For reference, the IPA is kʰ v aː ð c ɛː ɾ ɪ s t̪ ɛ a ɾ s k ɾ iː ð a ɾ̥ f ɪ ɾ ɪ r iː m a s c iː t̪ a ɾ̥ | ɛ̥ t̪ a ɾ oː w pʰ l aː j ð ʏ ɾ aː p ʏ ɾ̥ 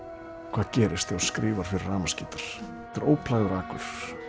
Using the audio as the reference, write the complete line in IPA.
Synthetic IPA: kʰ v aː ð c ɛː ɾ ɪ s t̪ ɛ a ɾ s k ɾ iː v a ɾ̥ f ɪ ɾ ɪ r aː m a s c iː t̪ a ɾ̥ | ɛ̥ t̪ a ɾ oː w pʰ l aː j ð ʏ ɾ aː k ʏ ɾ̥